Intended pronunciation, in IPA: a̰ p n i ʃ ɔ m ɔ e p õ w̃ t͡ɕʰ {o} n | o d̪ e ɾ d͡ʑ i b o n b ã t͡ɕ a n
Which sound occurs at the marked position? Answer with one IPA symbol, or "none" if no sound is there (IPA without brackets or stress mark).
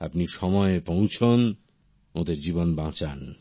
o